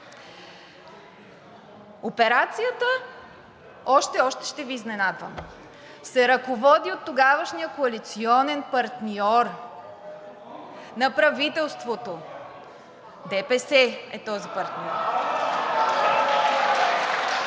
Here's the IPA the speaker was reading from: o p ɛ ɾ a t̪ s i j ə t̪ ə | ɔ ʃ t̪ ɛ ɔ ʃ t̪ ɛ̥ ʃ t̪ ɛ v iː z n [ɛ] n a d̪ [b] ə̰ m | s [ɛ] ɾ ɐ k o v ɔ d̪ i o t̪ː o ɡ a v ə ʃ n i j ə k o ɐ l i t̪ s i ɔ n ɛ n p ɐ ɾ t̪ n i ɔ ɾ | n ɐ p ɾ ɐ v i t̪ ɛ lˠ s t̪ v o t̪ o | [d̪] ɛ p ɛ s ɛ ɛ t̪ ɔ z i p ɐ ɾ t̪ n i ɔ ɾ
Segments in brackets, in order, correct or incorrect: correct, incorrect: v, correct, correct

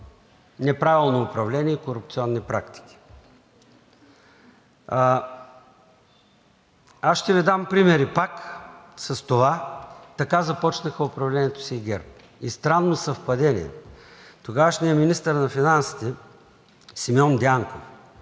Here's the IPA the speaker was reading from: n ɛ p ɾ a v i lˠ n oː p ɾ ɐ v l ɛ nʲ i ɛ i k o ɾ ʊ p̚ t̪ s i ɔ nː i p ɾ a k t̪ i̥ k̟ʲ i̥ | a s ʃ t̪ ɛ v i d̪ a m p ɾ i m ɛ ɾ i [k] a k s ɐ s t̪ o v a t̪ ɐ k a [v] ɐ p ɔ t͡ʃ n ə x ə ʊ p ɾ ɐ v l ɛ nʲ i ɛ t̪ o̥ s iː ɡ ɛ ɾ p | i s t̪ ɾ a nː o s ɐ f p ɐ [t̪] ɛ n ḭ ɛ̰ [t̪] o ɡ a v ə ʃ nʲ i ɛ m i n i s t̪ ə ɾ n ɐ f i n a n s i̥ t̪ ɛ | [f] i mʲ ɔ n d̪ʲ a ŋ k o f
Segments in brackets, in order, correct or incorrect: incorrect: p, incorrect: z, incorrect: d̪, correct, incorrect: s

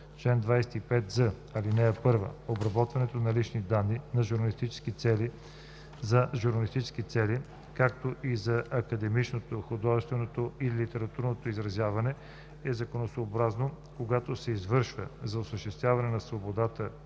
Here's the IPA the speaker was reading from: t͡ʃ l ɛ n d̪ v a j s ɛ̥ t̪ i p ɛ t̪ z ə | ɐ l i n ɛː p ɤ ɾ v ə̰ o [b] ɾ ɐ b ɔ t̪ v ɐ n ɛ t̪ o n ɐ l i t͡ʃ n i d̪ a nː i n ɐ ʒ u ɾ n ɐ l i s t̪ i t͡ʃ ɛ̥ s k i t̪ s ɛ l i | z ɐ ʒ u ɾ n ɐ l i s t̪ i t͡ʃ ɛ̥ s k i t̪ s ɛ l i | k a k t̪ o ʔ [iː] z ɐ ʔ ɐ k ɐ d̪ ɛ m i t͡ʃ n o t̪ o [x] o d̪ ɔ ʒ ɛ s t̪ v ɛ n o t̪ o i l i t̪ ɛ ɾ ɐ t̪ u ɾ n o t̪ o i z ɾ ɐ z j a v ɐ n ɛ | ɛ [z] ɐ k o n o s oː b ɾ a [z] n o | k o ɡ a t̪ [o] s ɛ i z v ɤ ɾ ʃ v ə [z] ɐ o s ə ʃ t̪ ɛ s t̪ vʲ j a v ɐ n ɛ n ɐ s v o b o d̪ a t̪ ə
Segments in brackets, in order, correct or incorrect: correct, incorrect: i, correct, correct, correct, correct, correct

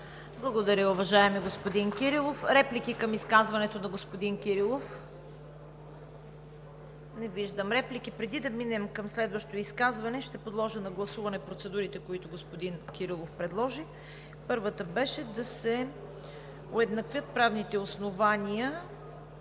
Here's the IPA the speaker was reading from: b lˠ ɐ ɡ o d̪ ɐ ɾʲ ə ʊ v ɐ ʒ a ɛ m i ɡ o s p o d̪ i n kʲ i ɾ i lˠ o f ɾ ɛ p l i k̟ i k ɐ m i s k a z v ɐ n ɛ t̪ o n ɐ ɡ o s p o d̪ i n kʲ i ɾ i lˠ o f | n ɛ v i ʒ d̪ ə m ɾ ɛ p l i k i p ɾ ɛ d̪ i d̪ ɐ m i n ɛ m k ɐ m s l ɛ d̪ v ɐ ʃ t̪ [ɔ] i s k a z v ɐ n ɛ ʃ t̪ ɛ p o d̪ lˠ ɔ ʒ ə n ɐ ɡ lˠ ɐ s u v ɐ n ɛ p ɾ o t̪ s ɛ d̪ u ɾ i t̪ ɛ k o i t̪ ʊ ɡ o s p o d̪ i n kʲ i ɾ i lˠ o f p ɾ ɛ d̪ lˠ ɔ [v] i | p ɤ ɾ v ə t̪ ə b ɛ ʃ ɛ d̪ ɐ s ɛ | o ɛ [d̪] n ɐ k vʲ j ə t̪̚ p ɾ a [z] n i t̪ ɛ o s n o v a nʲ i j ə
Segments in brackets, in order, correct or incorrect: incorrect: o, incorrect: ʒ, correct, incorrect: v

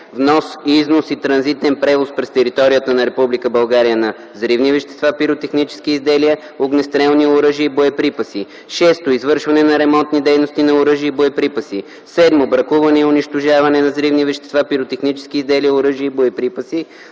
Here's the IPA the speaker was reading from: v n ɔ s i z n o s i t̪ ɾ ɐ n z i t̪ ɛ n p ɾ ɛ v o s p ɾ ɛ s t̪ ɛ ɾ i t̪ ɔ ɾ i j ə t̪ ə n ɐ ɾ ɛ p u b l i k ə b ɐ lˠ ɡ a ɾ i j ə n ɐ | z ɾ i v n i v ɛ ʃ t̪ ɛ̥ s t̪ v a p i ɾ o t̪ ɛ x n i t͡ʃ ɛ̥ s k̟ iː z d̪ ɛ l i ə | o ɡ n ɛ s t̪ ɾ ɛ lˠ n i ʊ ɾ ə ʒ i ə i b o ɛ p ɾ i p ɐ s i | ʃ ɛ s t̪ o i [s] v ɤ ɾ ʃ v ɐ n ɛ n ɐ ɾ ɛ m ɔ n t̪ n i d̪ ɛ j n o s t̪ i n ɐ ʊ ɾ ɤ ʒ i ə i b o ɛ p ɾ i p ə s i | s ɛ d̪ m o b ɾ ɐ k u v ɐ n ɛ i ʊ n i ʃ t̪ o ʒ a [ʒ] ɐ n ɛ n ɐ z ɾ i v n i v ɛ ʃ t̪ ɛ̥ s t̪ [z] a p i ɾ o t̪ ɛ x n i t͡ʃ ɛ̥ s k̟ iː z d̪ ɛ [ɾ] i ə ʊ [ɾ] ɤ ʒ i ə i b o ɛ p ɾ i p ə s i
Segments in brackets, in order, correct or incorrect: incorrect: z, incorrect: v, incorrect: v, incorrect: l, correct

